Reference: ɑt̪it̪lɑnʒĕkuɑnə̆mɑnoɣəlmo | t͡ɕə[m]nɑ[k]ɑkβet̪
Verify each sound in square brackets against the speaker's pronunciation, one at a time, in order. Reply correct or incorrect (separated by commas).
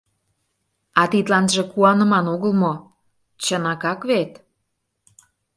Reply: incorrect, correct